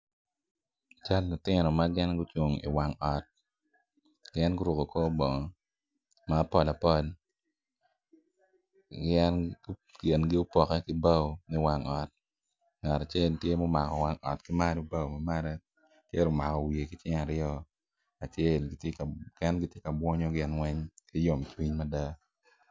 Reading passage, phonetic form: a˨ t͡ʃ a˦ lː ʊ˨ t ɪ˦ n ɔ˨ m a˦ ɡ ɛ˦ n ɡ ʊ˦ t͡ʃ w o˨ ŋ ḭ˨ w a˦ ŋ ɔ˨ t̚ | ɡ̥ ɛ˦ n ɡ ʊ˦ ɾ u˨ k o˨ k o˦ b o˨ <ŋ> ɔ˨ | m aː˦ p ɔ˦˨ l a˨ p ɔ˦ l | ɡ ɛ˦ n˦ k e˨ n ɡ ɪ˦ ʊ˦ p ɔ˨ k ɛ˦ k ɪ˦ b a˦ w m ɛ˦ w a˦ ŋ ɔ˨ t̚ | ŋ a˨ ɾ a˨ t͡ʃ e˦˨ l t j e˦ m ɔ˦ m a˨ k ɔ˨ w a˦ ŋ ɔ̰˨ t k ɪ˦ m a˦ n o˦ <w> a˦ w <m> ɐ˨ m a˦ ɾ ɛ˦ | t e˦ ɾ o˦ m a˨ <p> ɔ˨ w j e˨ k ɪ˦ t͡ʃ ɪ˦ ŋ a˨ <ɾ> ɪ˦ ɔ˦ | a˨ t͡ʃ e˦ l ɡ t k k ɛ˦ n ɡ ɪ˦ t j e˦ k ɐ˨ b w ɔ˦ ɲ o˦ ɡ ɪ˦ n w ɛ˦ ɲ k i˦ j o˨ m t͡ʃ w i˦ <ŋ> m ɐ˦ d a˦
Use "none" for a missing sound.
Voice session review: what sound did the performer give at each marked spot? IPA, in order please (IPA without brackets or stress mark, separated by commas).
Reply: ŋ, b, m, k, ɾ, ɲ